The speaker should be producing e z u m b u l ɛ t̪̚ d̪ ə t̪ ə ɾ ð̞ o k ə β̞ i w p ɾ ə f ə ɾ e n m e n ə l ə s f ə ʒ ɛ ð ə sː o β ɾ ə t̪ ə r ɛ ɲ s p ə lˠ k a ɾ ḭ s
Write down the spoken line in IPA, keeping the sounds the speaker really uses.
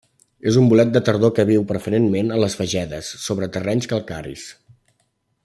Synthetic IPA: e z u m b u l ɛ t̪̚ d̪ ə t̪ ə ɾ ð̞ o k ə β̞ i w p ɾ ə f ə ɾ e n m e n ə l ə s f ə ʒ ɛ ð ə sː o β ɾ ə t̪ ə r ɛ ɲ s k ə lˠ k a ɾ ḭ s